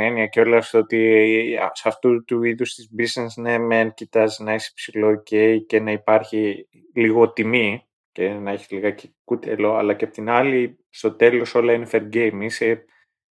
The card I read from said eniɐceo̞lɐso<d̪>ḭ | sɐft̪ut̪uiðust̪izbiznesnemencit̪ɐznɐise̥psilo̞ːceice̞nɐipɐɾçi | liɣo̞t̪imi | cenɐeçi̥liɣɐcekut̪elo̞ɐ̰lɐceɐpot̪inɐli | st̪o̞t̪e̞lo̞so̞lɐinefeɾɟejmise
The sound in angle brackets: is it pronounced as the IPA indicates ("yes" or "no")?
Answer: no